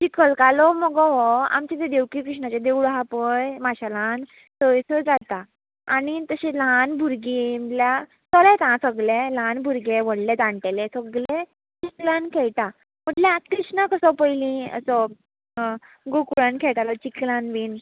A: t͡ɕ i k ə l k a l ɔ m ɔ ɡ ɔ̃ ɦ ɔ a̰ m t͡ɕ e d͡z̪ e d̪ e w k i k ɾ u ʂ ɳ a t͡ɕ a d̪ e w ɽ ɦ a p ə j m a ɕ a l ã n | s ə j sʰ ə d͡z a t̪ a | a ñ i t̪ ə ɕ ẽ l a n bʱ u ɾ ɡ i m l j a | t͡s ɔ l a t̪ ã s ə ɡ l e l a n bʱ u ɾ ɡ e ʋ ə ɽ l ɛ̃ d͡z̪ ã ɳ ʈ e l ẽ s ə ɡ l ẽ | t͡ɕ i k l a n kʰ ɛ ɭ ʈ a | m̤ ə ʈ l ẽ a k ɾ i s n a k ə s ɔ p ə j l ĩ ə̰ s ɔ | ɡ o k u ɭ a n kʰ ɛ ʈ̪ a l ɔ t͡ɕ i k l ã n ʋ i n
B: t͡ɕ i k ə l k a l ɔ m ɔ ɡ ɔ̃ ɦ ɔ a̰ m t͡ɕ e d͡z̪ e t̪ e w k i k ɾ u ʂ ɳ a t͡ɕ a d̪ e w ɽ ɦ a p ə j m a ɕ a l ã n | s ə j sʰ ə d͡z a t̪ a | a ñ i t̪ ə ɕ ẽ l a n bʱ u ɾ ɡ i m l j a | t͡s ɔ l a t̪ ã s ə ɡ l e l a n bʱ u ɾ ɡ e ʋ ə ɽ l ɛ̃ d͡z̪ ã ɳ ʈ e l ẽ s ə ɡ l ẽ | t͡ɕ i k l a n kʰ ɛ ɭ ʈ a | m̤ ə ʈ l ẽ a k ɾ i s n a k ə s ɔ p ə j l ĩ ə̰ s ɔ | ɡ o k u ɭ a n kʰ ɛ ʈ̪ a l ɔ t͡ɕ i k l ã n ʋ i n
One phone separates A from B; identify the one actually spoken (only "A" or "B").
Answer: A